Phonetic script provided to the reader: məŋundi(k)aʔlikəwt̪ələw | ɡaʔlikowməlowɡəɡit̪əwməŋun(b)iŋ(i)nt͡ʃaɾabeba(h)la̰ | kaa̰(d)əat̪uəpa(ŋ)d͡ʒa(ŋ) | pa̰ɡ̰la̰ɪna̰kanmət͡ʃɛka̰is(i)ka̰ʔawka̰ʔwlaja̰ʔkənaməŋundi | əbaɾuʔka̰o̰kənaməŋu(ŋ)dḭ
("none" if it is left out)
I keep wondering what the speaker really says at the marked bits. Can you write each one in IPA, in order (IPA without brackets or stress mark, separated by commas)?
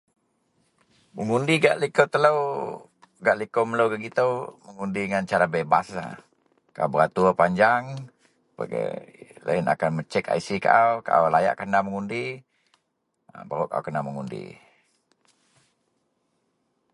ɡ, d, a, s, b, ɲ, ŋ, i, n